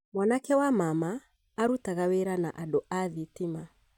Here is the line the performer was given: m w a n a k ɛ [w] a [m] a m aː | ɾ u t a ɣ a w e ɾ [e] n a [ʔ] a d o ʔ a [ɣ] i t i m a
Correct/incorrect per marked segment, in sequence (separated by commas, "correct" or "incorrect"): correct, correct, incorrect, correct, incorrect